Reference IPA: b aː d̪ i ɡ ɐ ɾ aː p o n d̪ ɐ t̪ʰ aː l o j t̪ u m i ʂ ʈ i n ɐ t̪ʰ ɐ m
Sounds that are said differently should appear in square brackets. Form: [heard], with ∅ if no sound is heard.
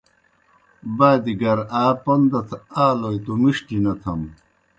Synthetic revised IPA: b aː d̪ i ɡ ɐ ɾ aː p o n d̪ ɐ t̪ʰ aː l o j t̪ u m i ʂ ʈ i n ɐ t̪ʰ ɐ m